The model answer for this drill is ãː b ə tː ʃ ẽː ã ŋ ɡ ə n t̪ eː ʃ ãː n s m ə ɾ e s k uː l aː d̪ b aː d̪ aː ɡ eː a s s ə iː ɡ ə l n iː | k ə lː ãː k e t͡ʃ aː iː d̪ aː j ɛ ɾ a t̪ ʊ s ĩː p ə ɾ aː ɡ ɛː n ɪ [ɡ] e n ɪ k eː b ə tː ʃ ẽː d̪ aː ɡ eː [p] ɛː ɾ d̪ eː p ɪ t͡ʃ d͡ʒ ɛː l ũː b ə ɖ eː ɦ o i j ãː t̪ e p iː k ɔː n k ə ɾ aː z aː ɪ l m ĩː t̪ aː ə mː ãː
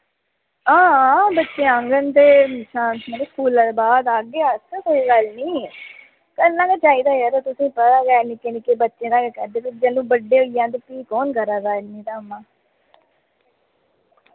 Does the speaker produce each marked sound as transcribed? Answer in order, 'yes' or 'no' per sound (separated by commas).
no, no